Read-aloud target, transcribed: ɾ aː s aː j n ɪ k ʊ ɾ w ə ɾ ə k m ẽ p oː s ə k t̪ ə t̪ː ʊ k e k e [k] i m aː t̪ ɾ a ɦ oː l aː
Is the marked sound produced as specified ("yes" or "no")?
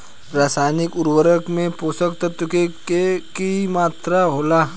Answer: yes